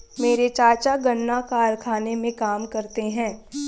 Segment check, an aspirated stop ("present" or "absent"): present